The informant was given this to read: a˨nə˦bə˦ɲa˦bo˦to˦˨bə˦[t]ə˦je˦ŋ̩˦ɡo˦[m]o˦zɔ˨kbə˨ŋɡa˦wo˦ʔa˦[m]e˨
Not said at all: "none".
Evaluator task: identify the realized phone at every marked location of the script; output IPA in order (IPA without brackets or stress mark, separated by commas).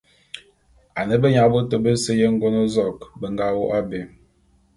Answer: s, n, b